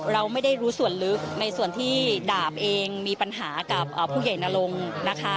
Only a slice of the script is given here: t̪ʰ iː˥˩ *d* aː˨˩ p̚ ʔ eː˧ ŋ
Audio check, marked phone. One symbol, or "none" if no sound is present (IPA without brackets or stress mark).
d